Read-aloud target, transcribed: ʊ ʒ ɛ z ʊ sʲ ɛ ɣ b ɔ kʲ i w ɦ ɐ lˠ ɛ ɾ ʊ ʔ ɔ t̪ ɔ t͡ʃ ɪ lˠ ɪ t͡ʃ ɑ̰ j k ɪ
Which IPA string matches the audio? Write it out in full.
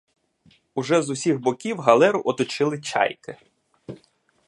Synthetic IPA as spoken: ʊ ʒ ɛ z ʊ sʲ i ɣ b ɔ kʲ i w ɦ ɐ lˠ ɛ ɾ ʊ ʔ ɔ t̪ ɔ t͡ʃ ɪ lˠ ɪ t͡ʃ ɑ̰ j k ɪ